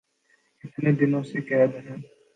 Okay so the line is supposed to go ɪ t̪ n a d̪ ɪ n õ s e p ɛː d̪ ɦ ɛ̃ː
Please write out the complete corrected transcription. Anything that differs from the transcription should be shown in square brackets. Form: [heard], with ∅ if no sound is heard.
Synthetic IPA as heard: ɪ t̪ n [e] d̪ ɪ n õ s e [k] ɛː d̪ ɦ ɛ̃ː